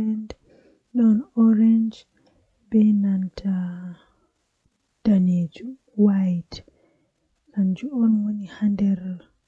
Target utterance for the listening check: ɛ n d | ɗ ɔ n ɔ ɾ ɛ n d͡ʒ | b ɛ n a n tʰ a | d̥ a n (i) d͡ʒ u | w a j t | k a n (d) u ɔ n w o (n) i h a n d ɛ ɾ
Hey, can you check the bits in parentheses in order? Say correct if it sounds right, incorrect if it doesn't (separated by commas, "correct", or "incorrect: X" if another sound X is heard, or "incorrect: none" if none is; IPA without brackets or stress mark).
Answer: incorrect: e, incorrect: d͡ʒ, correct